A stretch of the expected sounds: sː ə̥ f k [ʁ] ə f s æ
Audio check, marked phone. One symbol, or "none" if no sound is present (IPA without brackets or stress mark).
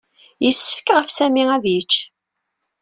ʁ